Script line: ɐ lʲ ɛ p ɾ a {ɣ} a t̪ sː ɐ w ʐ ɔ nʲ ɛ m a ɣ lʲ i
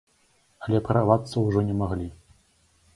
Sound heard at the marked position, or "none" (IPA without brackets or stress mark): v